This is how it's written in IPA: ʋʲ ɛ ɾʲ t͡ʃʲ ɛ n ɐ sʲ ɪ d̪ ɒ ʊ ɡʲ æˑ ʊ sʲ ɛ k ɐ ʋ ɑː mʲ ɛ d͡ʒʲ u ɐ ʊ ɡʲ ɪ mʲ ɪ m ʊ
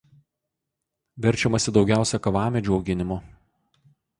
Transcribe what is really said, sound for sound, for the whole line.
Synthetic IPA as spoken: ʋʲ ɛ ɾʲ t͡ʃʲ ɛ m ɐ sʲ ɪ d̪ ɒ ʊ ɡʲ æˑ ʊ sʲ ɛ k ɐ ʋ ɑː mʲ ɛ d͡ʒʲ u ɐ ʊ ɡʲ ɪ nʲ ɪ m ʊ

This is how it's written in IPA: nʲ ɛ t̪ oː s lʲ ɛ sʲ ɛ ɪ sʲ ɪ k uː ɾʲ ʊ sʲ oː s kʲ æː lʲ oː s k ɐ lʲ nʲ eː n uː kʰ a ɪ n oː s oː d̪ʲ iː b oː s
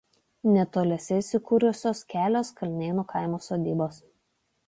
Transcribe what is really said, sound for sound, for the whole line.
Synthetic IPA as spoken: nʲ ɛ t̪ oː lʲ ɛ sʲ ɛ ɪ sʲ ɪ k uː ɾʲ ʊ sʲ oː s kʲ æː lʲ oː s k ɐ lʲ nʲ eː n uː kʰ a ɪ m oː s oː d̪ʲ iː b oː s

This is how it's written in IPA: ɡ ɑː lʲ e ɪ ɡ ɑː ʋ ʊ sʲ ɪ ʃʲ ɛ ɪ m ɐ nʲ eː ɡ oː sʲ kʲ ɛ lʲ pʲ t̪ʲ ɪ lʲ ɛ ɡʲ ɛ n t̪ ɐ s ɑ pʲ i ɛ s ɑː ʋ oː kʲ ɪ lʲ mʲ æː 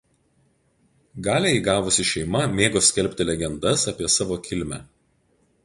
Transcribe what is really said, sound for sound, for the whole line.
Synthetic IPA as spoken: ɡ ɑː lʲ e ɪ ɡ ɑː ʋ ʊ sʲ ɪ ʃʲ ɛ ɪ m ɐ mʲ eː ɡ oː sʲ kʲ ɛ lʲ pʲ t̪ʲ ɪ lʲ ɛ ɡʲ ɛ n d̪ ɐ s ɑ pʲ i ɛ s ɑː ʋ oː kʲ ɪ lʲ mʲ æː

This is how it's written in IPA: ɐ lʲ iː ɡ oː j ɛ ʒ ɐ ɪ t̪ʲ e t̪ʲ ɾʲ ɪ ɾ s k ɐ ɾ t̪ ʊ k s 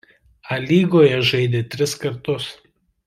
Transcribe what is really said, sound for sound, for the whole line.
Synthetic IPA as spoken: ɐ lʲ iː ɡ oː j ɛ ʒ ɐ ɪ d̪ʲ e t̪ʲ ɾʲ ɪ s k ɐ ɾ t̪ ʊ s

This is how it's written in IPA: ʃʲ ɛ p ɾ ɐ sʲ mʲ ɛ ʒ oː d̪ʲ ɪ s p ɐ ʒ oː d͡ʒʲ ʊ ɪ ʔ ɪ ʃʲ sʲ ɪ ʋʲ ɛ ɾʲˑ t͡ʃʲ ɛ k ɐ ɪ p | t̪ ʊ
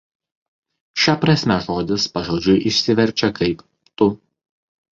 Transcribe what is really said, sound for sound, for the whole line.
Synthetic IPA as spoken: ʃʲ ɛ p ɾ ɐ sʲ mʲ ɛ ʒ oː d̪ʲ ɪ s p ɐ ʒ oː d͡ʒʲ ʊ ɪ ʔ ɪ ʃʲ sʲ ɪ ʋʲ ɛ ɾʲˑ t͡ʃʲ ɛ k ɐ ɪ p | t̪ ʊ

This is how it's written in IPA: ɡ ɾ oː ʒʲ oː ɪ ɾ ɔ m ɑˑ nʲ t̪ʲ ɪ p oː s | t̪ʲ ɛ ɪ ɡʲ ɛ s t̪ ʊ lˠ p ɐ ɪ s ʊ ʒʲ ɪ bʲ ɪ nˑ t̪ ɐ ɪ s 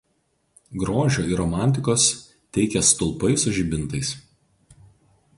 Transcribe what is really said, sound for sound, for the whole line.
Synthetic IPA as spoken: ɡ ɾ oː ʒʲ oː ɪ ɾ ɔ m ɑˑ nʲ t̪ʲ ɪ k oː s | t̪ʲ ɛ ɪ kʲ ɛ s t̪ ʊ lˠ p ɐ ɪ s ʊ ʒʲ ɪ bʲ ɪ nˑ t̪ ɐ ɪ s

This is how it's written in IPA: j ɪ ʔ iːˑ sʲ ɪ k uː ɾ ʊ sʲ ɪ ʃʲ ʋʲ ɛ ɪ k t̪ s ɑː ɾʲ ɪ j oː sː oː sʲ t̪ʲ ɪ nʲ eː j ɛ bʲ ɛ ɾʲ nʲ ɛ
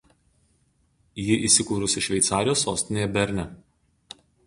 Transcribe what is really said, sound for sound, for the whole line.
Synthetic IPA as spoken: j ɪ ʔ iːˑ sʲ ɪ k uː ɾ ʊ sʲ ɪ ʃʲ ʋʲ ɛ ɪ t̪ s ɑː ɾʲ ɪ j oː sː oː sʲ t̪ʲ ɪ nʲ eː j ɛ bʲ ɛ ɾʲ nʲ ɛ

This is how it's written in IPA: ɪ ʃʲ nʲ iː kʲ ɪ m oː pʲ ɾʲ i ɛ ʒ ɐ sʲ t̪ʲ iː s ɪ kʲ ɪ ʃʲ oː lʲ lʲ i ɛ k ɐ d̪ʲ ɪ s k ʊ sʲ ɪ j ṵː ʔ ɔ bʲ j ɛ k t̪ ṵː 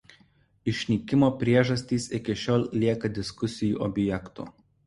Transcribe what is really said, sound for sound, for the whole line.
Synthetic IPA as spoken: ɪ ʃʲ nʲ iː kʲ ɪ m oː pʲ ɾʲ i ɛ ʒ ɐ sʲ t̪ʲ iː s ɪ kʲ ɪ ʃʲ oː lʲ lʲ i ɛ k ɐ d̪ʲ ɪ s k ʊ sʲ ɪ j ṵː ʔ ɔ bʲ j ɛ k t̪ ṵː

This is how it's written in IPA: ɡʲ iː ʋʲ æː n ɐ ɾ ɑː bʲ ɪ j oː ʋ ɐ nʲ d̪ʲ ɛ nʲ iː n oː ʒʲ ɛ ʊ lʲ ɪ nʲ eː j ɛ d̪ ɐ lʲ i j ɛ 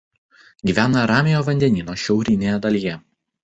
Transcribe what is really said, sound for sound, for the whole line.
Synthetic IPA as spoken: ɡʲ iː ʋʲ æː n ɐ ɾ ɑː mʲ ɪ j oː ʋ ɐ nʲ d̪ʲ ɛ nʲ iː n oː ʃʲ ɛ ʊ ɾʲ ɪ nʲ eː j ɛ d̪ ɐ lʲ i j ɛ

